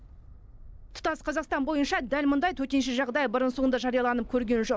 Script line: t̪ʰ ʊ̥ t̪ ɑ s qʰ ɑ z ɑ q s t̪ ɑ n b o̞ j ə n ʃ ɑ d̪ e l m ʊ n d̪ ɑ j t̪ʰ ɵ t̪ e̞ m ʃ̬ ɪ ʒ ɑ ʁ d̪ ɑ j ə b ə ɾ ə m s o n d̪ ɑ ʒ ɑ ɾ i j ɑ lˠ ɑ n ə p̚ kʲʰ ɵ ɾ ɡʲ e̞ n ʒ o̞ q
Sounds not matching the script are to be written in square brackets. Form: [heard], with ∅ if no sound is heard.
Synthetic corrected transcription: t̪ʰ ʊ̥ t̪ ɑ s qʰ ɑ z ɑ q s t̪ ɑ n b o̞ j ə n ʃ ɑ d̪ [æ] l m ʊ n d̪ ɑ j t̪ʰ ɵ t̪ e̞ [n] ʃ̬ ɪ ʒ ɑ ʁ d̪ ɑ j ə b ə ɾ ə [n] s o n d̪ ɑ ʒ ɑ ɾ i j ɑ lˠ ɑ n ə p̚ kʲʰ ɵ ɾ ɡʲ e̞ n ʒ o̞ q